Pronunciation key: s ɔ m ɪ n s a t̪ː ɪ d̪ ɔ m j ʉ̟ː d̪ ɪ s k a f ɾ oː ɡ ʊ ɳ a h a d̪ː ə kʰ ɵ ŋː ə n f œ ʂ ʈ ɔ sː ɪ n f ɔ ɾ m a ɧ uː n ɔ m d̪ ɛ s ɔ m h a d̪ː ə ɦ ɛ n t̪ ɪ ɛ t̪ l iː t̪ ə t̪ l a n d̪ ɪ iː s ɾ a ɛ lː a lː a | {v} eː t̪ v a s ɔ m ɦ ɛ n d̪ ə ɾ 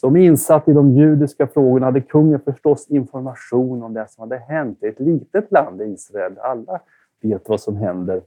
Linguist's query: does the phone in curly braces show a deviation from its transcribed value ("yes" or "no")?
no